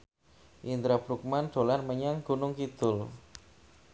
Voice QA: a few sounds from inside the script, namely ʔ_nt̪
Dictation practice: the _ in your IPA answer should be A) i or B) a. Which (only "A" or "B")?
A